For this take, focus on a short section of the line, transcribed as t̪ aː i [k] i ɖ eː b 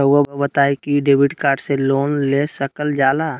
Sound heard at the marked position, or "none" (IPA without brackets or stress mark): k